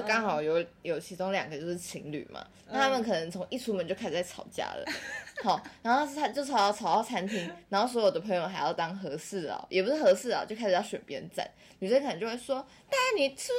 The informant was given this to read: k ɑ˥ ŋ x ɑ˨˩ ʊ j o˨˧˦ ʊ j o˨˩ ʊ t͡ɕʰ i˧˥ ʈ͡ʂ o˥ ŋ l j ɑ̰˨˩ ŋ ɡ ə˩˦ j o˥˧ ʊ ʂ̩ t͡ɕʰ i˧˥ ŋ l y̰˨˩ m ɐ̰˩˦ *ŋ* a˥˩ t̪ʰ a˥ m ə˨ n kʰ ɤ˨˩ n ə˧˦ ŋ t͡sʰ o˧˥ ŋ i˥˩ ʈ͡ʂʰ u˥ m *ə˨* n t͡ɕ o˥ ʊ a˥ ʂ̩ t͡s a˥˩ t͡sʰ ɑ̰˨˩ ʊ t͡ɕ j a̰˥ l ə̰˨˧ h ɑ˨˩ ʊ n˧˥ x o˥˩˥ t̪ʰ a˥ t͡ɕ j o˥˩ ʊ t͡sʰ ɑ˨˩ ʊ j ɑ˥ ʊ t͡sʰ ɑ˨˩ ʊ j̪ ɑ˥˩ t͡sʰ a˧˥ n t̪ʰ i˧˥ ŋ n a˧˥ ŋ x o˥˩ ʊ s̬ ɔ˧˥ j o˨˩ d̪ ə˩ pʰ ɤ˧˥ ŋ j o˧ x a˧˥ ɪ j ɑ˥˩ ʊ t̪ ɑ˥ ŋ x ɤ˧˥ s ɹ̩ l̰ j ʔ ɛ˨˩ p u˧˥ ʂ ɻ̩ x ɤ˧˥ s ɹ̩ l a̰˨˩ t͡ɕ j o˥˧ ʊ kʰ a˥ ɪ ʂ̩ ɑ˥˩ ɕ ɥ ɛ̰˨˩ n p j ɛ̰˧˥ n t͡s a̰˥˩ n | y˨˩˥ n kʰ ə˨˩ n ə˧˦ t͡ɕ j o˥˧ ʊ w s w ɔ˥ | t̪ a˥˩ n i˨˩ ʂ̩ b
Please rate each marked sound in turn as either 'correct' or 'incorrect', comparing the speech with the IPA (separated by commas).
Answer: incorrect, correct